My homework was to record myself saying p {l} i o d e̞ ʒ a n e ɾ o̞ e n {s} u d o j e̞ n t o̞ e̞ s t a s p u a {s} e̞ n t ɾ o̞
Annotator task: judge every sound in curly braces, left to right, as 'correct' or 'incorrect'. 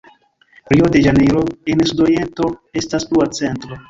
incorrect, correct, incorrect

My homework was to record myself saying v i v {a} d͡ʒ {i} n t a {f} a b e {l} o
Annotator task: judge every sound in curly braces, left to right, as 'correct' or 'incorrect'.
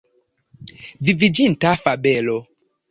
incorrect, correct, correct, correct

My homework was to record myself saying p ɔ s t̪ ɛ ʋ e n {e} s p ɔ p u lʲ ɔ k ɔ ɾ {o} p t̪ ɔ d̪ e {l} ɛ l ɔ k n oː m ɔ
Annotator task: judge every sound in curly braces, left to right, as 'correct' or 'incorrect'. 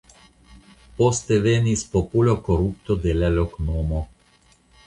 incorrect, incorrect, correct

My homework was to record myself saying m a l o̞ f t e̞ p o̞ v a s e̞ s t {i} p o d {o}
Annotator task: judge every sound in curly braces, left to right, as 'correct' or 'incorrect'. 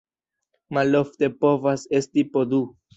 correct, incorrect

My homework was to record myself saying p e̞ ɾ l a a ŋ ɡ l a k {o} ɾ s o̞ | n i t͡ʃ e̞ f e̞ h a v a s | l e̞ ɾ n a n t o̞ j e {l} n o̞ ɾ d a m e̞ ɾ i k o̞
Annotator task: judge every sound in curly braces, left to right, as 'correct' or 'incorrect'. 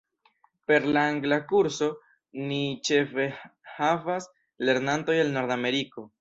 incorrect, correct

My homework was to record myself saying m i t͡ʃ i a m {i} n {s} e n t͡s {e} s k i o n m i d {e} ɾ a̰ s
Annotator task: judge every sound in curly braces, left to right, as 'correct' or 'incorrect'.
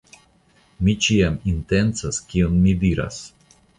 correct, incorrect, incorrect, incorrect

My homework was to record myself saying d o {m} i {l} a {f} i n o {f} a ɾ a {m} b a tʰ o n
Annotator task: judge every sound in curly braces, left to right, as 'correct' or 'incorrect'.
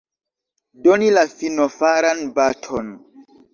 incorrect, correct, correct, correct, incorrect

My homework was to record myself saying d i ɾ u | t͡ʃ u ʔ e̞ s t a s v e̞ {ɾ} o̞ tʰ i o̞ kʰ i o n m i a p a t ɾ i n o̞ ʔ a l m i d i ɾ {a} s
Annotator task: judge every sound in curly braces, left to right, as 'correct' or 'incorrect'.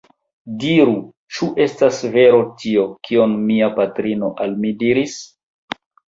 correct, incorrect

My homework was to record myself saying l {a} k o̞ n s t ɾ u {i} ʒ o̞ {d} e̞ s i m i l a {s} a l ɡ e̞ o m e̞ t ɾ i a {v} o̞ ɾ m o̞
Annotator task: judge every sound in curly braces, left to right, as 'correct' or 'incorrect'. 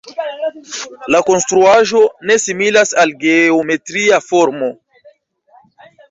correct, incorrect, incorrect, correct, incorrect

